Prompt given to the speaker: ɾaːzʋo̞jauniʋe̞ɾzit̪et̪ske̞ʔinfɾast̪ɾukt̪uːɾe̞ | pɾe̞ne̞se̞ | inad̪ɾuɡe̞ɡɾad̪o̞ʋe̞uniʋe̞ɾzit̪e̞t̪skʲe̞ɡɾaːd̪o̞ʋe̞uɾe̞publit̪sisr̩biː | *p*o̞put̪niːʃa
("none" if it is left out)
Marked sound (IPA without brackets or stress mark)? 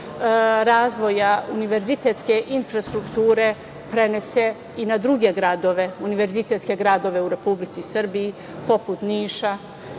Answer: p